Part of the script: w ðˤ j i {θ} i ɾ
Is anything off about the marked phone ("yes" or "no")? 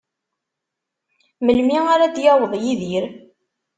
yes